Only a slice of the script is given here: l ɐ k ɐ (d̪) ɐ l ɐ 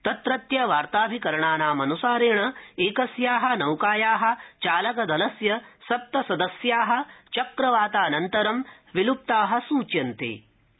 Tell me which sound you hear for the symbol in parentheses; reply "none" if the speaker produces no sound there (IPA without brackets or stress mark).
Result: d̪